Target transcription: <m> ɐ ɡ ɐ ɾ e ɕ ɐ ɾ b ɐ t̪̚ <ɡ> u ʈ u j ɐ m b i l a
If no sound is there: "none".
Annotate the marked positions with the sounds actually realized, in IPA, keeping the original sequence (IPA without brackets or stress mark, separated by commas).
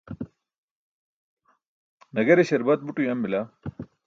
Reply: n, b